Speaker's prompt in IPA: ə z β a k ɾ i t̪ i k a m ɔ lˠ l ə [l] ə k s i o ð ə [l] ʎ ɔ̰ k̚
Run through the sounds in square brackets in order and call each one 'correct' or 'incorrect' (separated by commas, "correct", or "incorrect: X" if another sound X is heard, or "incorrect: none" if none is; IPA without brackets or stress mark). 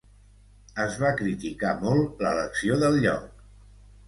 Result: correct, correct